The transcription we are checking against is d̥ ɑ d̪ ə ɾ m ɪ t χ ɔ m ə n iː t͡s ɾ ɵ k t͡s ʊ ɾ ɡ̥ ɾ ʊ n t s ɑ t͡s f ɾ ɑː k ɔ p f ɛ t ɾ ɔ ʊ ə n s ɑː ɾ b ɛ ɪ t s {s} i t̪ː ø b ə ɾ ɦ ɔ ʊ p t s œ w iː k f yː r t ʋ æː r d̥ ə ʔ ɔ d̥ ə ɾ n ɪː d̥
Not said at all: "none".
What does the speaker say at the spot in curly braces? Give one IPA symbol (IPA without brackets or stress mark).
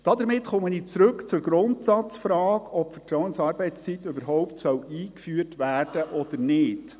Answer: t͡s